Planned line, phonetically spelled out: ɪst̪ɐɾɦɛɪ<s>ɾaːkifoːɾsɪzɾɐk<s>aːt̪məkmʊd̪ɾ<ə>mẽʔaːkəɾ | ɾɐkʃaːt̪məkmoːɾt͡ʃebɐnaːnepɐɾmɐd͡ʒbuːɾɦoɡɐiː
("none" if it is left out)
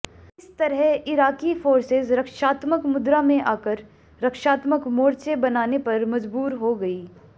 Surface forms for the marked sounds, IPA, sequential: none, ʃ, a

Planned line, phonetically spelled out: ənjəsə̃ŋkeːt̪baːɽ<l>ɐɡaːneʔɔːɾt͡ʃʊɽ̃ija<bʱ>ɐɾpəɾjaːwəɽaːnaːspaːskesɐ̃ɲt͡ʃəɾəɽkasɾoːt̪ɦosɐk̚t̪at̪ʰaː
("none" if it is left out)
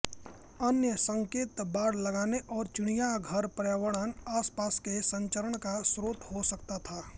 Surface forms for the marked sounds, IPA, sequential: l, ɡʱ

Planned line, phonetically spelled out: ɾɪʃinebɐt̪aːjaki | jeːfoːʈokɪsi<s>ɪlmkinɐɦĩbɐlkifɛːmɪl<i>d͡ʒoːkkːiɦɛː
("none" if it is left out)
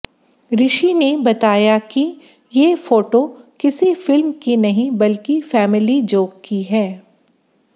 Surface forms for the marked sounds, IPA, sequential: f, i

